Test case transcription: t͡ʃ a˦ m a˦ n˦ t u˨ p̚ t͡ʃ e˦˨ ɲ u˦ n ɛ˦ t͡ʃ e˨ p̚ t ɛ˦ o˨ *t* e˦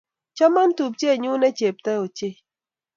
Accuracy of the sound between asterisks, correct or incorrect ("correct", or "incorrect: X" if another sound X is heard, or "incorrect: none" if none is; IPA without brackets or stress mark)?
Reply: incorrect: t͡ʃ